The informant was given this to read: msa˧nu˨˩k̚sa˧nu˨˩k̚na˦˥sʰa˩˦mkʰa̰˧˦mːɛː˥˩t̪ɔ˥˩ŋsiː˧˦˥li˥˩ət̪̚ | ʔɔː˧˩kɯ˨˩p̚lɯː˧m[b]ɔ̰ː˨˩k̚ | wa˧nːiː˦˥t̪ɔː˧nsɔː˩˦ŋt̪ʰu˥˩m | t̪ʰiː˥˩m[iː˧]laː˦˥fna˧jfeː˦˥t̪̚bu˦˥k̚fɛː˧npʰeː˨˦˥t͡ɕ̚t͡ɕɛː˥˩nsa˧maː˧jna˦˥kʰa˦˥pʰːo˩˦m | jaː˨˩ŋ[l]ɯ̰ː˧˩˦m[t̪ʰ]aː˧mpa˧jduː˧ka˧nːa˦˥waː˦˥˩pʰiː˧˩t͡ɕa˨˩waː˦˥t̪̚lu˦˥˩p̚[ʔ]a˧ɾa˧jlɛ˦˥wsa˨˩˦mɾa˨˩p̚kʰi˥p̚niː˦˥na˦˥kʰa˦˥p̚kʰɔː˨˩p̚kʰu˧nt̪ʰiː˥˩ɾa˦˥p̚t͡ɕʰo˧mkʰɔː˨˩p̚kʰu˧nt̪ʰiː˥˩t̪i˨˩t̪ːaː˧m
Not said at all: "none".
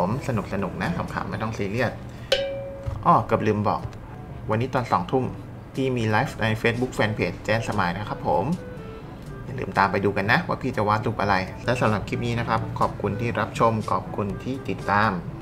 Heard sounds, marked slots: b, iː˧, l, t̪, ʔ

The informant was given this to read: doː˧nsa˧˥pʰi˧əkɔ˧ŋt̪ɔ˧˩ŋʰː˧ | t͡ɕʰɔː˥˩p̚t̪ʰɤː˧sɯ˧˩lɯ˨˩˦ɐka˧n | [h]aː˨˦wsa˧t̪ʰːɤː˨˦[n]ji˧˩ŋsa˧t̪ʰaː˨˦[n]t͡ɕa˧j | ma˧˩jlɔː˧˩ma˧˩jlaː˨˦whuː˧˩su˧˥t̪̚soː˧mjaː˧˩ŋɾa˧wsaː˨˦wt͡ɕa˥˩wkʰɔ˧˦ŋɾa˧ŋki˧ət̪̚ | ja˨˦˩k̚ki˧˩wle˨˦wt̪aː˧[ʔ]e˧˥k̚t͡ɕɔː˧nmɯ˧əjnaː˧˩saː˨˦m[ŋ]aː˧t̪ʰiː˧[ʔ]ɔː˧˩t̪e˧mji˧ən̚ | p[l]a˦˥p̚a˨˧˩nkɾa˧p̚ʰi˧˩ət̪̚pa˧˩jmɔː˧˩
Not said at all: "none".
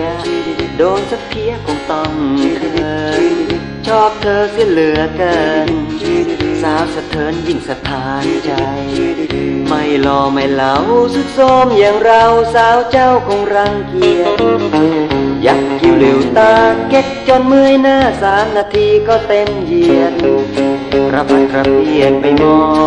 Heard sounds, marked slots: s, n, n, k, n, k, ɾ

